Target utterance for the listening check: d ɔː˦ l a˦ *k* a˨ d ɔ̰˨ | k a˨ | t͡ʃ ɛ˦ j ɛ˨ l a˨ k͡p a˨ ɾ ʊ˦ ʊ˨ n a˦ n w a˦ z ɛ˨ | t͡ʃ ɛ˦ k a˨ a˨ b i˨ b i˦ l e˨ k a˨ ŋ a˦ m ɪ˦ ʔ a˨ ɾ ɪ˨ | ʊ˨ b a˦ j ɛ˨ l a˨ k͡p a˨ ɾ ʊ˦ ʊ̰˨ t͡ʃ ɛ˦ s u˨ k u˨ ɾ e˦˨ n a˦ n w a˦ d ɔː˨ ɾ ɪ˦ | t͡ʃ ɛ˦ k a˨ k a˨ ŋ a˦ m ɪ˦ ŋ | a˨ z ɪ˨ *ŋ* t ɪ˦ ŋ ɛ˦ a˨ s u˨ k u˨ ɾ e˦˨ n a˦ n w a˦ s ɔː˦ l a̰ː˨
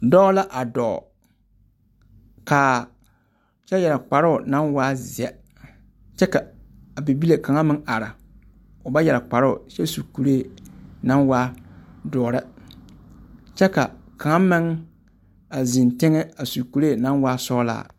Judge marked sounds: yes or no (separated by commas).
no, no